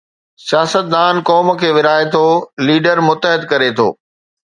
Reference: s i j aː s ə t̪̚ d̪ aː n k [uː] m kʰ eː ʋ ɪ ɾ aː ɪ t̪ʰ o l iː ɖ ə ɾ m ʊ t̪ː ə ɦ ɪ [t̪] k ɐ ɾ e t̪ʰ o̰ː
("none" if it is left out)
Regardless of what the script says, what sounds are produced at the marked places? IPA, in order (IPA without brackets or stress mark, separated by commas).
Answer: ɔː, d̪